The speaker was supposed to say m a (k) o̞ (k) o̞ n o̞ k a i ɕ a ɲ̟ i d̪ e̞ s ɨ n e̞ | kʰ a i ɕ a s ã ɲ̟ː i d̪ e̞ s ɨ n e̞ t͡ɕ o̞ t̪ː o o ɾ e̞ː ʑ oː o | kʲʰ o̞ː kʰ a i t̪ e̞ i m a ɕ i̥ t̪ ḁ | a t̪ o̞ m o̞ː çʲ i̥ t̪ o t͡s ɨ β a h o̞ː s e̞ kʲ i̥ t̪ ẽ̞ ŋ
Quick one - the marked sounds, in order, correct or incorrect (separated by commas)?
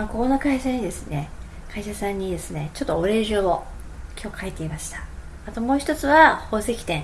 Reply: correct, correct